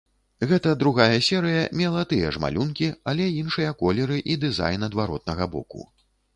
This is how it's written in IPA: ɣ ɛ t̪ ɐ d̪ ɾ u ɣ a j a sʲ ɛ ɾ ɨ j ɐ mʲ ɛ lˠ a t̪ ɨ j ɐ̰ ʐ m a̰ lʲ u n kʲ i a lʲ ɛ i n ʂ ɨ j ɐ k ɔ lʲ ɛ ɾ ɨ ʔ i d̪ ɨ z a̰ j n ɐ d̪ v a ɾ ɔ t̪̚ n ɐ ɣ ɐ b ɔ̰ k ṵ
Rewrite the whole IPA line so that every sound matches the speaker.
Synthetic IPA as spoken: ɣ ɛ t̪ ɐ d̪ ɾ u ɣ a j ɐ sʲ ɛ ɾ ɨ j ɐ mʲ ɛ lˠ a t̪ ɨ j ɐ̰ ʐ m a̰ lʲ u n kʲ i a lʲ ɛ i n ʂ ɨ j ɐ k ɔ lʲ ɛ ɾ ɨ ʔ i d̪ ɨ z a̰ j n ɐ d̪ v a ɾ ɔ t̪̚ n ɐ ɣ ɐ b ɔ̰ k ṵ